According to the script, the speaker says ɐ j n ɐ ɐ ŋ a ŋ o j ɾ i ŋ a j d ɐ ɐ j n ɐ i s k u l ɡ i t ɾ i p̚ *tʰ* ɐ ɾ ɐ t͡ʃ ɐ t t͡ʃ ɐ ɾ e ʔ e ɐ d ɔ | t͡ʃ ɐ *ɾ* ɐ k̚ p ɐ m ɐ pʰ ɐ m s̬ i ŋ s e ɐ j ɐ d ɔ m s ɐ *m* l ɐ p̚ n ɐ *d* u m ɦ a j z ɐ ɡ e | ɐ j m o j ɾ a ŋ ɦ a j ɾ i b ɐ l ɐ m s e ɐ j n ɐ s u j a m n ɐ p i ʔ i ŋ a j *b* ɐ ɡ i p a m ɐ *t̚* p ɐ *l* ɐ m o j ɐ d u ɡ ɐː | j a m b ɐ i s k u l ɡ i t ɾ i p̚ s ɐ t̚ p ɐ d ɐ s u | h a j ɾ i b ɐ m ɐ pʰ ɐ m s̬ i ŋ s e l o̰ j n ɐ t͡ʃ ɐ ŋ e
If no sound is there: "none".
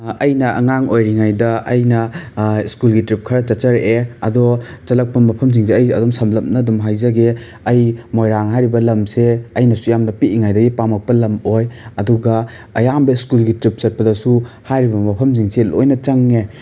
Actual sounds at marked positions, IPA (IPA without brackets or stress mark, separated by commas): kʰ, l, m, d, d, k̚, l